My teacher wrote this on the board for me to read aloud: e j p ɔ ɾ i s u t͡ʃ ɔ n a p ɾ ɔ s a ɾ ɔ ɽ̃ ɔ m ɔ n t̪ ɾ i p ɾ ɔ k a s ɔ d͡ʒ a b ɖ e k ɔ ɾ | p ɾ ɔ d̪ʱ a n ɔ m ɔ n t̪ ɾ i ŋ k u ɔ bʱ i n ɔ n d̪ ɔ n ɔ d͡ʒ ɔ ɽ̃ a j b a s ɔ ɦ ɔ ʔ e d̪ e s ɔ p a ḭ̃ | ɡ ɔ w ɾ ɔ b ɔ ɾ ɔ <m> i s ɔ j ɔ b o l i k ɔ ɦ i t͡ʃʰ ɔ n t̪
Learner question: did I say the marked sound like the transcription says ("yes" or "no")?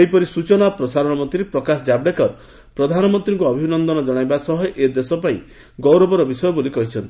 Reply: no